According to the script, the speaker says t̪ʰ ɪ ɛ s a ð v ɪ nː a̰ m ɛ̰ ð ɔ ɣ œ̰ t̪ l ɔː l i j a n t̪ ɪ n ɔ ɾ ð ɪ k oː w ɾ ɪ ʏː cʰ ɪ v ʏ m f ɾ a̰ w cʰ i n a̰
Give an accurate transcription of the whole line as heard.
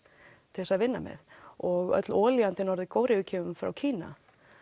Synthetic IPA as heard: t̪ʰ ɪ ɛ s a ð v ɪ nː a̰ m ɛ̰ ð ɔ ɣ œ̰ t̪ l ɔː l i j a n t̪ ɪ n ɔ ɾ ð ɪ k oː w ɾ ɪ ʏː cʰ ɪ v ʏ m f ɾ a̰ w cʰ iː n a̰

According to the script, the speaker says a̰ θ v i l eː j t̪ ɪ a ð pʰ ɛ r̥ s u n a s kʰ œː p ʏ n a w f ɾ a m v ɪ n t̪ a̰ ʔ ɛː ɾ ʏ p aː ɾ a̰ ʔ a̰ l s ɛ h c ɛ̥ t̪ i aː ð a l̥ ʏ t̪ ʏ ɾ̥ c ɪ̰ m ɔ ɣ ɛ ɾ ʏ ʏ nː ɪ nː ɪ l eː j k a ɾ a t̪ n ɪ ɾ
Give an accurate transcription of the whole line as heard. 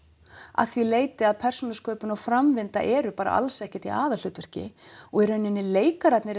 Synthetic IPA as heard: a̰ θ v i l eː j t̪ ɪ a ð pʰ ɛ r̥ s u n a s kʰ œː p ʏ n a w f ɾ a m v ɪ n t̪ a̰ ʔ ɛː ɾ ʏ p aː ɾ a̰ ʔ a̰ l s ɛ h c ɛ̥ t̪ i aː ð a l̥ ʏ t̪ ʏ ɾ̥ c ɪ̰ ɔ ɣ ɛ ɾ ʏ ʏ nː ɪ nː ɪ l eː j k a ɾ a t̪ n ɪ ɾ

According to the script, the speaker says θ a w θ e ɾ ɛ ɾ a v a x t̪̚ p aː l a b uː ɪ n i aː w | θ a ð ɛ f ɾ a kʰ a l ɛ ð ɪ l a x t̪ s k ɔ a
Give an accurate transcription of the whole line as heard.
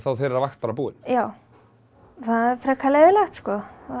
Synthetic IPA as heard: θ a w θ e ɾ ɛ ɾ a v a x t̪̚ p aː ɾ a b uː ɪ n j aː w | θ a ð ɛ f ɾ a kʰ a l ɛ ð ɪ l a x t̪ s k ɔ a

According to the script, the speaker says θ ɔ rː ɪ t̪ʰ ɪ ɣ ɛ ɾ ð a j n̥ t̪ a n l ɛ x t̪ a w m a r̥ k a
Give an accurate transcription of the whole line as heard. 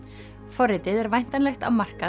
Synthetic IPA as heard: f ɔ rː ɪ t̪ ɪ ð ɛ ɾ v a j n̥ t̪ a n l ɛ x t̪ a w m a r̥ k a

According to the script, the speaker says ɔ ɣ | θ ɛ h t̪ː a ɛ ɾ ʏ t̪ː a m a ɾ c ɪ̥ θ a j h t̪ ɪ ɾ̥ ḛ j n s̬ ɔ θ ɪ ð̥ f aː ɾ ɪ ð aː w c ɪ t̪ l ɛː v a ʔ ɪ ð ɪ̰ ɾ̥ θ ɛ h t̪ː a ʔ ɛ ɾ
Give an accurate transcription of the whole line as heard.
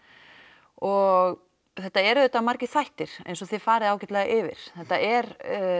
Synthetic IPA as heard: ɔ ɣ | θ ɛ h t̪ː a ɛ ɾ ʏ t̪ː a m a ɾ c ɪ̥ θ a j h t̪ ɪ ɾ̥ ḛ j n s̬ ɔ θ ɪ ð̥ f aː ɾ ɪ ð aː w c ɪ t̪ l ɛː ɣ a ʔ ɪ v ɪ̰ ɾ̥ θ ɛ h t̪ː a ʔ ɛ ɾ

